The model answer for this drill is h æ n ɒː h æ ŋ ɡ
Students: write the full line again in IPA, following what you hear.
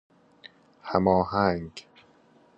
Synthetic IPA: h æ m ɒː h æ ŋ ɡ